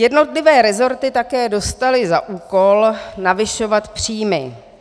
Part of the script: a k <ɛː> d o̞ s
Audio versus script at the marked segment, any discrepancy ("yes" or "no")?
no